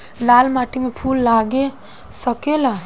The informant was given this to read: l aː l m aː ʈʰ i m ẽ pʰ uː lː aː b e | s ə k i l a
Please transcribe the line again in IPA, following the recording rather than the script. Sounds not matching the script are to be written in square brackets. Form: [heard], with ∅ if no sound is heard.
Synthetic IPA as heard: l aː l m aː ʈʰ i m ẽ pʰ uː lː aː [ɡ] e | s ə k [e] l a